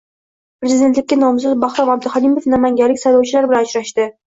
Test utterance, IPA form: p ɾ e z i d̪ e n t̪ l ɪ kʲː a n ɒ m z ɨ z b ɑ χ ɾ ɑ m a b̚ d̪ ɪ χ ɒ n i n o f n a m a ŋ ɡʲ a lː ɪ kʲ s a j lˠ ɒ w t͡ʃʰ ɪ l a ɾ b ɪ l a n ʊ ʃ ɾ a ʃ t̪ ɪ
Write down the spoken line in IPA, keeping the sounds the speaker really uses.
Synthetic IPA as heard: p ɾ e z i d̪ e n t̪ l ɪ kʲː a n ɒ m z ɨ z b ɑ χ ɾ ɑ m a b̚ d̪ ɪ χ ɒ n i m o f n a m a ŋ ɡʲ a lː ɪ kʲ s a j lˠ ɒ w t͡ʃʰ ɪ l a ɾ b ɪ l a n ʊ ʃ ɾ a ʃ t̪ ɪ